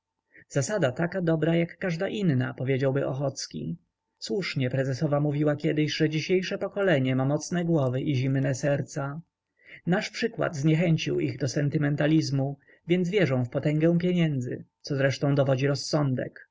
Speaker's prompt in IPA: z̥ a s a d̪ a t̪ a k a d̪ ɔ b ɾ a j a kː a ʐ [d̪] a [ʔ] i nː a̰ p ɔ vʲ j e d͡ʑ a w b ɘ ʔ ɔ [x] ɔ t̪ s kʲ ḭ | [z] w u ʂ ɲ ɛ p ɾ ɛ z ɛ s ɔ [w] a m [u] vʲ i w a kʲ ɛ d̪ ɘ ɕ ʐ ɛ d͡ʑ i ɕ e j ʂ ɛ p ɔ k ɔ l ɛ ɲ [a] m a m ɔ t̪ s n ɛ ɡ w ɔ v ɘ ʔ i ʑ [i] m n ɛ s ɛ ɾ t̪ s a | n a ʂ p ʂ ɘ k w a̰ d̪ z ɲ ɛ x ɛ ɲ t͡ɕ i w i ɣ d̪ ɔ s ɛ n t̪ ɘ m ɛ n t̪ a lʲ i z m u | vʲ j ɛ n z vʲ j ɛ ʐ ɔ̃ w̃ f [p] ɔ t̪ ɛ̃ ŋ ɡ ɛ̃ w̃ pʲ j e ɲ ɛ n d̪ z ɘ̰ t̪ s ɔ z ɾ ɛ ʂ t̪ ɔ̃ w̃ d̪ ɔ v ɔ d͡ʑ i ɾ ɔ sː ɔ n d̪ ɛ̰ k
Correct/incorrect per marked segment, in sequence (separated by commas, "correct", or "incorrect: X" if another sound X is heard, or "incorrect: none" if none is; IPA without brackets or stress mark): correct, correct, correct, incorrect: s, incorrect: v, correct, incorrect: ɛ, correct, correct